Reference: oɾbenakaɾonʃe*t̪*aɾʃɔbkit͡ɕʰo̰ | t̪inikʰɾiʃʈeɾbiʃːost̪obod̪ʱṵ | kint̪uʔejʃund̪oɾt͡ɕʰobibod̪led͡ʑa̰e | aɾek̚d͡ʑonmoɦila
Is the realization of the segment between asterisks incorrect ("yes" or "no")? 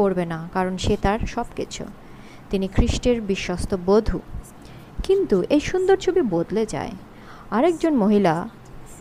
no